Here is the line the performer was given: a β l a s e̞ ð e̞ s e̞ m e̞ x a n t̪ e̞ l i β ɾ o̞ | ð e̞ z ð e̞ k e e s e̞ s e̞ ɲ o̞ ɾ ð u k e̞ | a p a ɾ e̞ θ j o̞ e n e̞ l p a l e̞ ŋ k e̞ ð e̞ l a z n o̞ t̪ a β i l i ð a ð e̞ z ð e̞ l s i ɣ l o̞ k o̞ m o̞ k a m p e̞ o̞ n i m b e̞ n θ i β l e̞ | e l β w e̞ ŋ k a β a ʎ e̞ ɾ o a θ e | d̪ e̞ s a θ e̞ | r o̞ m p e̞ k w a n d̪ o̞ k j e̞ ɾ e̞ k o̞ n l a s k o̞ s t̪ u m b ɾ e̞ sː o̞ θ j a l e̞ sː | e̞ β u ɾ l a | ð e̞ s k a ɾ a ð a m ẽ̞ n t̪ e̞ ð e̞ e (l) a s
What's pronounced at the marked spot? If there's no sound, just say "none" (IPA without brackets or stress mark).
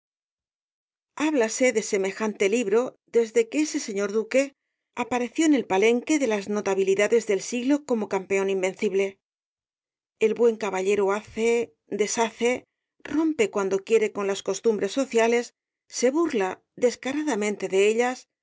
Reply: ʎ